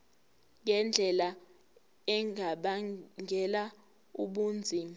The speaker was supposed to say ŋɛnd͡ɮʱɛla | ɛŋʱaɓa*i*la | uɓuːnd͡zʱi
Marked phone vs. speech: incorrect: ɛ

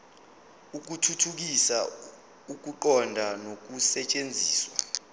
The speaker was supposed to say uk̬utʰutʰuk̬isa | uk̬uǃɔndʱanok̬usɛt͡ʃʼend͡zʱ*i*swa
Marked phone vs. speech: incorrect: iː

